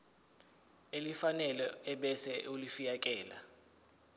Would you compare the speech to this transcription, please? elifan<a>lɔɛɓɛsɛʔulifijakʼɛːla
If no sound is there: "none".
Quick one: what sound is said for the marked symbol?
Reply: ɛ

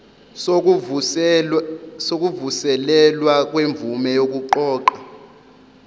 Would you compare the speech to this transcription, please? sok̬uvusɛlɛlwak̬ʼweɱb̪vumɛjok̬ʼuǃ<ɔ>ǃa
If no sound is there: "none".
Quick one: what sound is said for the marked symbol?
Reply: ɔː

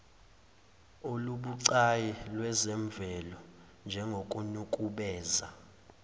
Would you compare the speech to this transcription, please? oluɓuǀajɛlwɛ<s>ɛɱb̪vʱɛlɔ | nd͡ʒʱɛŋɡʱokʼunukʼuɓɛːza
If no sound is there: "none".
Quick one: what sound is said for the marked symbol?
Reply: z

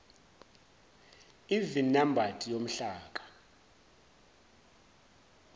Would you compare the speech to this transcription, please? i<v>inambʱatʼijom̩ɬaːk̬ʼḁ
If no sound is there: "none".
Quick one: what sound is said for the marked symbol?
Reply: v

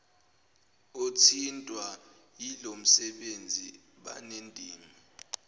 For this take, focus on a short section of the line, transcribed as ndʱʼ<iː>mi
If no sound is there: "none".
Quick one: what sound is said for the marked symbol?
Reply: iː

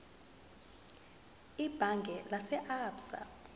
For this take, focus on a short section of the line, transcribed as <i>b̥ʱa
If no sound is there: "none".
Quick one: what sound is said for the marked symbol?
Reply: i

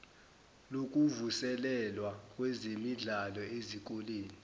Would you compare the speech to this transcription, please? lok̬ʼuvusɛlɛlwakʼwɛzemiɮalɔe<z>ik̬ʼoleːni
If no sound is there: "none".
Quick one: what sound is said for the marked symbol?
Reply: z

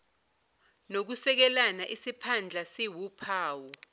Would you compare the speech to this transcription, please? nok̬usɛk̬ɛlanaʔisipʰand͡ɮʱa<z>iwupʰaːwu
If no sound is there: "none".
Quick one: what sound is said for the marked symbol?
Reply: s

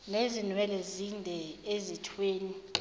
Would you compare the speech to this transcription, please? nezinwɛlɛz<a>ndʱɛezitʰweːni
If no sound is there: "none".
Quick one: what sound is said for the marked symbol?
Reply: i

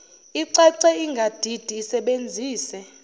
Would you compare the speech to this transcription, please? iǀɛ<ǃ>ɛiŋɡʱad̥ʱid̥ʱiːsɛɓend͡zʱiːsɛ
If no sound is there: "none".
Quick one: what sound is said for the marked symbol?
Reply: ǀ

